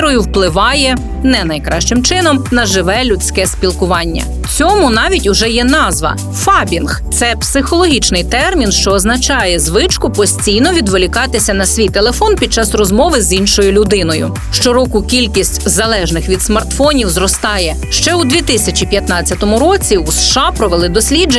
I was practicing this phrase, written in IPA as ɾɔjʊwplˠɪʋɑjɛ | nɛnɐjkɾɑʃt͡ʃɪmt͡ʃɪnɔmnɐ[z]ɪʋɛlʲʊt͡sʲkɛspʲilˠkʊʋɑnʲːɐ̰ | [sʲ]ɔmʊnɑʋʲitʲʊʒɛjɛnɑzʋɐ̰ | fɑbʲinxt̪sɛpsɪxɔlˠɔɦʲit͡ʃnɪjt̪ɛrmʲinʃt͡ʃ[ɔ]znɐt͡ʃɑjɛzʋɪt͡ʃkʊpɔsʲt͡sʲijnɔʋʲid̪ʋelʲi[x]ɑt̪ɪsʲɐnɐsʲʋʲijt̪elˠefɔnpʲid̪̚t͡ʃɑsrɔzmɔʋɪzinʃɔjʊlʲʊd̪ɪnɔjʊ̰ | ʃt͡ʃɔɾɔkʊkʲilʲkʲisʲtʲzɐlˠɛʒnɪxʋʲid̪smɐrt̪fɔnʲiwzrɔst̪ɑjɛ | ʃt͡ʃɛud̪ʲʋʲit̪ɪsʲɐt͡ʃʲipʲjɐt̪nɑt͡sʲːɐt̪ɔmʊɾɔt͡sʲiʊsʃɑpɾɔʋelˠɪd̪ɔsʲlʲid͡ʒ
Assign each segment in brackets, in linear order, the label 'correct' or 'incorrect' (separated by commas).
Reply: incorrect, incorrect, incorrect, incorrect